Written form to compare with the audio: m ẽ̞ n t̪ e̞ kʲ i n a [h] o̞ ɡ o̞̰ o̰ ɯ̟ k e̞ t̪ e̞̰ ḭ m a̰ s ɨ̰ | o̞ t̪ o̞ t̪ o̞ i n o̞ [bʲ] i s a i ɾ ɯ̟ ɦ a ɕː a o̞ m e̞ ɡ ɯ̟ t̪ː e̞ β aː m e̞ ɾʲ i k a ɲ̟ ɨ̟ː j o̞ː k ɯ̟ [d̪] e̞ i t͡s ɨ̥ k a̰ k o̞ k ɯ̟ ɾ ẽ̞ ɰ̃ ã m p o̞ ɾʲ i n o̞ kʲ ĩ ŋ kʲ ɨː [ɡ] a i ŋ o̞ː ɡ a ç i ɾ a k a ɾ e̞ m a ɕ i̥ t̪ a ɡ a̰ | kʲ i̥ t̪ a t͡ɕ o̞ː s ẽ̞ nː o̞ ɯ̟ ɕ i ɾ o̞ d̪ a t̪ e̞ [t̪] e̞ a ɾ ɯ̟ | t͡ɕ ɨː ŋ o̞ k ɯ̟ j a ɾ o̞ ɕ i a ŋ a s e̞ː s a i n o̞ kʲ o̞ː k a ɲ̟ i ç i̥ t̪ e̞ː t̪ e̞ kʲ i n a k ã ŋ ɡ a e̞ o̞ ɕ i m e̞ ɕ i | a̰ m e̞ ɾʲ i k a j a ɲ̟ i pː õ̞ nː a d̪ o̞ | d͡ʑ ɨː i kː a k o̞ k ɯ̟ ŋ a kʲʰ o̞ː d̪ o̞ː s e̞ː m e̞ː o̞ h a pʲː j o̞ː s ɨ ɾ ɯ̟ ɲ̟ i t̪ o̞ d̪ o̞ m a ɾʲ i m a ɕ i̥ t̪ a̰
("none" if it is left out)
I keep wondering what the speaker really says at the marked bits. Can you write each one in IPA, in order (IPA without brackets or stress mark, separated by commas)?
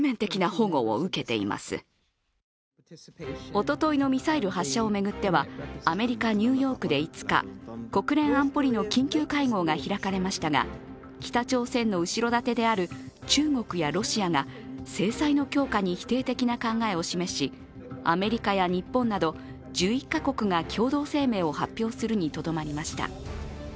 h, mʲ, d̪, k, d̪